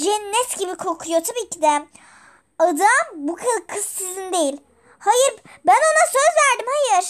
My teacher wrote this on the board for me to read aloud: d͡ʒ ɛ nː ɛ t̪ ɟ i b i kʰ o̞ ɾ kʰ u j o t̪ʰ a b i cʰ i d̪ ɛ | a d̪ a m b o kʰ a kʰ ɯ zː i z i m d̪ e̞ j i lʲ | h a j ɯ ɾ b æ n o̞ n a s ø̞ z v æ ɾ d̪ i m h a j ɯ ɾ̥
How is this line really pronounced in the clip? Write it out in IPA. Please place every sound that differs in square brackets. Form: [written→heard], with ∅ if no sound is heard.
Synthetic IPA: d͡ʒ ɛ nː ɛ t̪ ɟ i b i kʰ o̞ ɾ kʰ u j o t̪ʰ a b [i→iː] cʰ i d̪ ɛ | a d̪ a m b [o→u] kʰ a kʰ ɯ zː i z i [m→n] d̪ e̞ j i lʲ | h a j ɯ ɾ b æ n o̞ n a s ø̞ z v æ ɾ d̪ i m h a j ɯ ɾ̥